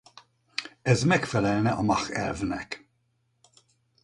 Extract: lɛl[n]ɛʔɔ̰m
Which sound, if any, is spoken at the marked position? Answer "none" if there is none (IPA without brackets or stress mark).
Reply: n